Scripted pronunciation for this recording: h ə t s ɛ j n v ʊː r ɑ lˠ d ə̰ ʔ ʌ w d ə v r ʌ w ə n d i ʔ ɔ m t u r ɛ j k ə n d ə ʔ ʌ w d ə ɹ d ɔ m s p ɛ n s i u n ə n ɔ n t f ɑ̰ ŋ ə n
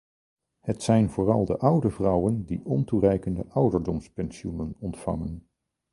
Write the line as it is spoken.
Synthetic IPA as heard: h ə t s ɛ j n v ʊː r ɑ lˠ d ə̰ ʔ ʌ w d ə v r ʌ w ə n d i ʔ ɔ n t u r ɛ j k ə n d ə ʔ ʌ w d ə ɹ d ɔ m s p ɛ n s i u n ə n ɔ n t f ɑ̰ ŋ ə n